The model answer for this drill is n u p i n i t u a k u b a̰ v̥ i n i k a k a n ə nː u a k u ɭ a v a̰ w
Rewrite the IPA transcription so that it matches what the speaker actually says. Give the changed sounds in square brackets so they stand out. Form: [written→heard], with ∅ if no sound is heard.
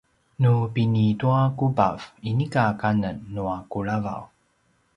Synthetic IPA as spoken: n u p i n i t u a k u b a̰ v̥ i n i k a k a n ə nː u a k u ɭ a v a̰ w